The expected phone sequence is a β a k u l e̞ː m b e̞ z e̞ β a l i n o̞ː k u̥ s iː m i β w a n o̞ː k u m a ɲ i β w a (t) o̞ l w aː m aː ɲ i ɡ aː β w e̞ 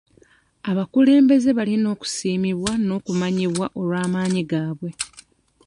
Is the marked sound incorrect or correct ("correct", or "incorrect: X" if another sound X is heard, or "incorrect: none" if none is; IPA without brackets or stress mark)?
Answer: incorrect: ʔ